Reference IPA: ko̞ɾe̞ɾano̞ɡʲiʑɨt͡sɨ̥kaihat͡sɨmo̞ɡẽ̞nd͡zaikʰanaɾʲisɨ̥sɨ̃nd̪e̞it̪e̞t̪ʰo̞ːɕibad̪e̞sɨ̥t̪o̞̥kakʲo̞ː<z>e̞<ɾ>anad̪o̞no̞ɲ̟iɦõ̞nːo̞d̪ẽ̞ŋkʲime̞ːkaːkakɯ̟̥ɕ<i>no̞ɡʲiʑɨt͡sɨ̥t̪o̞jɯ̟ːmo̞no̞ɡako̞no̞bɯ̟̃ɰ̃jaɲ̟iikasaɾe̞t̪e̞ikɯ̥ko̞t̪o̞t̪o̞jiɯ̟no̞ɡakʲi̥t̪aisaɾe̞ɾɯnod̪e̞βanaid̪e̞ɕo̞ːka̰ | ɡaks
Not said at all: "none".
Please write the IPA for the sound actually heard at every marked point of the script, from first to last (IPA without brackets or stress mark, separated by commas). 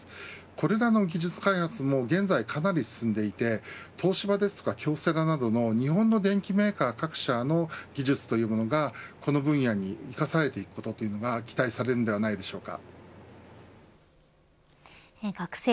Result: s, ɾ, a